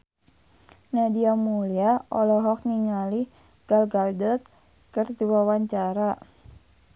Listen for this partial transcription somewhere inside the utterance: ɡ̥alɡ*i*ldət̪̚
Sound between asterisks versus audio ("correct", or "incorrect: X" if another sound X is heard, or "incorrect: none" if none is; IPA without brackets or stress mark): incorrect: a